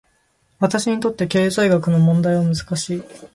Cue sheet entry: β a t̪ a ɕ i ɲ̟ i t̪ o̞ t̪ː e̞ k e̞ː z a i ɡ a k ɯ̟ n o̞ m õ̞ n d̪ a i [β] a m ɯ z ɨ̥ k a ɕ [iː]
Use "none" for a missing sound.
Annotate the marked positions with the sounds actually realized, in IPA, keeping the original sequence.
β, iː

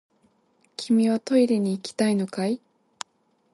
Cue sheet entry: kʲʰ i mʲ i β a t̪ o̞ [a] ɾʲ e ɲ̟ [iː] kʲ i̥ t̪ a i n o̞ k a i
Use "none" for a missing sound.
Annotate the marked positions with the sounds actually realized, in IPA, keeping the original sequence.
i, iː

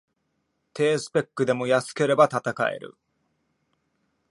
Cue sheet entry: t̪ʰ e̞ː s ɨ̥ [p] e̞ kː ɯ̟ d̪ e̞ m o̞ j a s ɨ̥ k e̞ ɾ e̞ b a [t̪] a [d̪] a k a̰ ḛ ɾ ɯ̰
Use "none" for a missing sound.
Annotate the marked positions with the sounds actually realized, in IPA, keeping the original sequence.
p, t̪, t̪

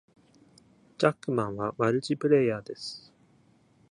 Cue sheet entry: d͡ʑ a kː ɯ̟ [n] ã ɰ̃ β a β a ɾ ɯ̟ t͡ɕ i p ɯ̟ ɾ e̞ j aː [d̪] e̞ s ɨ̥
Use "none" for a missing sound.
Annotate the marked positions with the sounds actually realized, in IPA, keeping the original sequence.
m, d̪

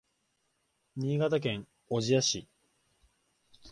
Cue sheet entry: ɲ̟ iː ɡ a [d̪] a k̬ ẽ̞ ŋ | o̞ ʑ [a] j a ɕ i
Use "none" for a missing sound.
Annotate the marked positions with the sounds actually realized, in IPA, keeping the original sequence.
t̪, i

